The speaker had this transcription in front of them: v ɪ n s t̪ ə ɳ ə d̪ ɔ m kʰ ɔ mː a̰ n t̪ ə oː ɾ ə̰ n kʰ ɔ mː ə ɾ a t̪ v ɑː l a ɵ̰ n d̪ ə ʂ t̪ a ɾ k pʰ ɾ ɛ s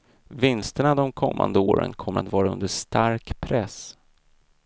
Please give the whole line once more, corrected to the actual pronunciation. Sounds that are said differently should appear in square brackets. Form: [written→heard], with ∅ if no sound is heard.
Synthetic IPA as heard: v ɪ n s t̪ ə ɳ [ə→a] d̪ ɔ m kʰ ɔ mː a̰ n [t̪→d̪] ə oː ɾ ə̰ n kʰ ɔ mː ə ɾ a t̪ v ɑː [l→ɾ] a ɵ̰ n d̪ ə ʂ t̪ a ɾ k pʰ ɾ ɛ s